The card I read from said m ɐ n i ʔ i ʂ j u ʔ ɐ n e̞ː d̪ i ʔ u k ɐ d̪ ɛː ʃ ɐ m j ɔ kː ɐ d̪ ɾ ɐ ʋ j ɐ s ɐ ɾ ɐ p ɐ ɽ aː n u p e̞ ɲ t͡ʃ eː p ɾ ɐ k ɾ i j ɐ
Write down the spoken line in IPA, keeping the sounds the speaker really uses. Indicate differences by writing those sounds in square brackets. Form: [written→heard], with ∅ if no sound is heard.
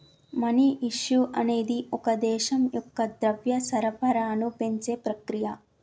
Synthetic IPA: m ɐ n i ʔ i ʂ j u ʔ ɐ n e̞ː d̪ i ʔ [u→ɔ] k ɐ d̪ ɛː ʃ ɐ m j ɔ kː ɐ d̪ ɾ ɐ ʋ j ɐ s ɐ ɾ ɐ p ɐ [ɽ→ɾ] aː n u p e̞ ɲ t͡ʃ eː p ɾ ɐ k ɾ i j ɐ